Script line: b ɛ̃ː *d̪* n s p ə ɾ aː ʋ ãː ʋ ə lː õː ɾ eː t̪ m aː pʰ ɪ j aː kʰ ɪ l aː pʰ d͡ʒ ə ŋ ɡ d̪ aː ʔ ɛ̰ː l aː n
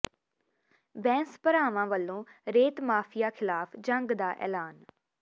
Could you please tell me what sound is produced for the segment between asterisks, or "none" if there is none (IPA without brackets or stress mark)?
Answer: none